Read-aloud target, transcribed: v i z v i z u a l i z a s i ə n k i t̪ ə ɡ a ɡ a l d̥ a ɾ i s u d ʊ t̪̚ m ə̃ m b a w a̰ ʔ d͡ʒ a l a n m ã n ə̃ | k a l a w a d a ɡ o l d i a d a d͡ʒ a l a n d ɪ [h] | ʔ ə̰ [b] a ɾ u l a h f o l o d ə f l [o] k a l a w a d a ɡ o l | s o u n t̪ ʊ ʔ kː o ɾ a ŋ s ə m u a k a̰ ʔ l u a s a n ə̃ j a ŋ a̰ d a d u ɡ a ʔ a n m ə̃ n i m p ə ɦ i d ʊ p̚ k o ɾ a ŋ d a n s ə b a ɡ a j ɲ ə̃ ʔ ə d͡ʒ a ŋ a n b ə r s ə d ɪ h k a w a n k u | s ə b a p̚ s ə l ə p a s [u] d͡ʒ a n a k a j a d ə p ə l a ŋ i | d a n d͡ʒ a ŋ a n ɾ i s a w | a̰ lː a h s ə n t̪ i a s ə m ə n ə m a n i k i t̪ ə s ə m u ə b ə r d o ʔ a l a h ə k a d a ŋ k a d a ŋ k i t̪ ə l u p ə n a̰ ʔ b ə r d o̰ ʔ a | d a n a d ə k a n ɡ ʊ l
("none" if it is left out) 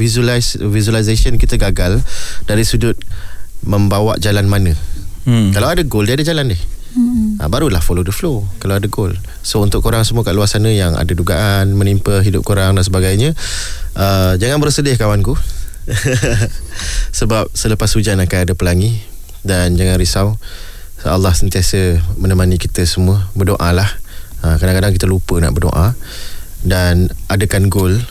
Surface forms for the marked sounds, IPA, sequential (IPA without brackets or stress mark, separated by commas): h, b, o, u